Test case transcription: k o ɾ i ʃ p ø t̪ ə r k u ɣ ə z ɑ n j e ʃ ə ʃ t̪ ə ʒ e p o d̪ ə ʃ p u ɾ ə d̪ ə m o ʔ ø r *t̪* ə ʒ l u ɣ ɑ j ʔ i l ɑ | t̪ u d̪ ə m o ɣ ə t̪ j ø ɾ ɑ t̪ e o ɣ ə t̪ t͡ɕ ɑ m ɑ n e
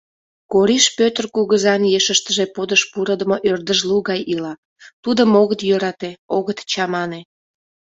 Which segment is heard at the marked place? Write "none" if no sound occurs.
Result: d̪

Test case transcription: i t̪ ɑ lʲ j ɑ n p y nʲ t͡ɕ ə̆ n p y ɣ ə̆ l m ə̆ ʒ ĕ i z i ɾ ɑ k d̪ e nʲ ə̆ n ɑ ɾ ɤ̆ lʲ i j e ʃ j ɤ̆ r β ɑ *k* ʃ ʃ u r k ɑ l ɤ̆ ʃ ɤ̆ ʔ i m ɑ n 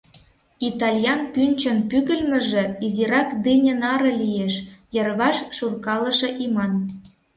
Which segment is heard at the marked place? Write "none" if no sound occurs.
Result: none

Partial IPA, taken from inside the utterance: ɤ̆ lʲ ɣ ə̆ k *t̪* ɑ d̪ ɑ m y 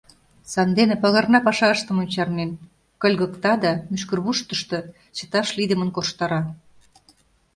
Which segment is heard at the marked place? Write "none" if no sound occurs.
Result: t̪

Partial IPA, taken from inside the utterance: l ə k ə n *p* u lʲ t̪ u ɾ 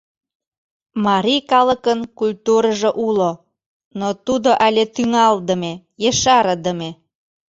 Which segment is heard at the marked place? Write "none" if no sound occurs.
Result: k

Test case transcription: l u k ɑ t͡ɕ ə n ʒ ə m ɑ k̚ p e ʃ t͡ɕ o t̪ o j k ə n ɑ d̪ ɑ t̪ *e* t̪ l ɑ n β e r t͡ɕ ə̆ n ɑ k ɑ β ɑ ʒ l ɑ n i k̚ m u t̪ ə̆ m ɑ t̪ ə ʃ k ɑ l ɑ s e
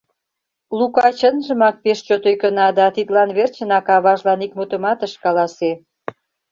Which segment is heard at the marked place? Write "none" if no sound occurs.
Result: i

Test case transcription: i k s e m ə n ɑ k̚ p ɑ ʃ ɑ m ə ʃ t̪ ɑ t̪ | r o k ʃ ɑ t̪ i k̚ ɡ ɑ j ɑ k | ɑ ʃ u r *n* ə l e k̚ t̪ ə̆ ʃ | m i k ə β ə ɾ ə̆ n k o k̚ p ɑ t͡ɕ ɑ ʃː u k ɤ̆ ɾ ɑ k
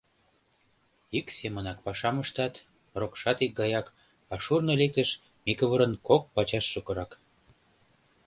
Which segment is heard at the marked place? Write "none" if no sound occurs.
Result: n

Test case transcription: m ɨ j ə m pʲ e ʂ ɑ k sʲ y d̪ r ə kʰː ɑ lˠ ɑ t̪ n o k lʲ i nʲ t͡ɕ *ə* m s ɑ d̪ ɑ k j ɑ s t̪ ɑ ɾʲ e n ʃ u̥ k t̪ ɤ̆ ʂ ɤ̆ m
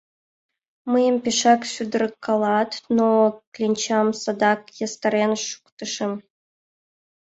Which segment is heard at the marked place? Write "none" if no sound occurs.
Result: ɑ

